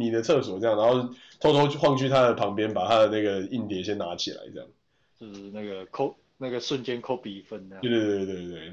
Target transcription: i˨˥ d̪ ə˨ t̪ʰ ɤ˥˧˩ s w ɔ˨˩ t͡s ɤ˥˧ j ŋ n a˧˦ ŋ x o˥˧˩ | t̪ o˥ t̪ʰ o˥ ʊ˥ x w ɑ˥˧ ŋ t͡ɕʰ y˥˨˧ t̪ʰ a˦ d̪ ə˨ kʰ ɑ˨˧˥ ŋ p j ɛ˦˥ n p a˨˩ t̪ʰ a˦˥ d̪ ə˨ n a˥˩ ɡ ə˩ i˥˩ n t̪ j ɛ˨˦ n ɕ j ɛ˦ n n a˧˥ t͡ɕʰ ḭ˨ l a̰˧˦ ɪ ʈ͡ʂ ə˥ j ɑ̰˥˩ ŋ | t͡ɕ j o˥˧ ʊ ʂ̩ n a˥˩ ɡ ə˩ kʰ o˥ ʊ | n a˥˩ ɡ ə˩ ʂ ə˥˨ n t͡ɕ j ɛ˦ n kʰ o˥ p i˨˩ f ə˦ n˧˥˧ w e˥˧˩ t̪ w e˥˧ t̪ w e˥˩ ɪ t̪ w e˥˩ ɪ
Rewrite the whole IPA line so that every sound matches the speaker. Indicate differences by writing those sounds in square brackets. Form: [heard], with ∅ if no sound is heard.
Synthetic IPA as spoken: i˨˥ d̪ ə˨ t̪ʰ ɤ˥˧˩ s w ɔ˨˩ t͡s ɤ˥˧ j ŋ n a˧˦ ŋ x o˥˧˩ | [t̪ʰ] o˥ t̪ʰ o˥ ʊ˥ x w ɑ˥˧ ŋ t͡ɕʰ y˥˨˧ t̪ʰ a˦ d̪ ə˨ [pʰ] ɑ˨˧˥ ŋ p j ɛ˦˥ n p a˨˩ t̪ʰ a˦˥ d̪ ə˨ n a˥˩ ɡ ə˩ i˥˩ n t̪ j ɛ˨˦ n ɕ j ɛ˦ n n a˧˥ t͡ɕʰ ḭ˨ l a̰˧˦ ɪ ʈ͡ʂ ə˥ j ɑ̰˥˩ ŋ | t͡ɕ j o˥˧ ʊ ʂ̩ n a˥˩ ɡ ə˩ kʰ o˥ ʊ | n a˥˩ ɡ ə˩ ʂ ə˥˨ n t͡ɕ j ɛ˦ n kʰ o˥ p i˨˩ f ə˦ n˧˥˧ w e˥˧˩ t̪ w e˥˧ t̪ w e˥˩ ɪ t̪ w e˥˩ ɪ